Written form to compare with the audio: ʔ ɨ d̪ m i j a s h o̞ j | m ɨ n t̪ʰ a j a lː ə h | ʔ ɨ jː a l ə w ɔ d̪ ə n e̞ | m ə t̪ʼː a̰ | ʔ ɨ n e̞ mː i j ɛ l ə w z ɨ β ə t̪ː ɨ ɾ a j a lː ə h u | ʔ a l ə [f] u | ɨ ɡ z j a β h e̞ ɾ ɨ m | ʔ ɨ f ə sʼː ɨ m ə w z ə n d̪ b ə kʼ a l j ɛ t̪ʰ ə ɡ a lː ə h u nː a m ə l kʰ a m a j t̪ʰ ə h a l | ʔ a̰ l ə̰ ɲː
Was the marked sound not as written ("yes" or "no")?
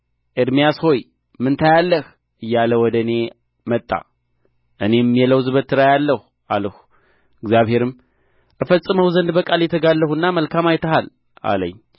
yes